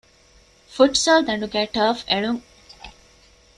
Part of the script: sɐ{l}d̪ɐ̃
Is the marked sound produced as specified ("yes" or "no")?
yes